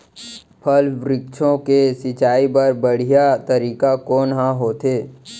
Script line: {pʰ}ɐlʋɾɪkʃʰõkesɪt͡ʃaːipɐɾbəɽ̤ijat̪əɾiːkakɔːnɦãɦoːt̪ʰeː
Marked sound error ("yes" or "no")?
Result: no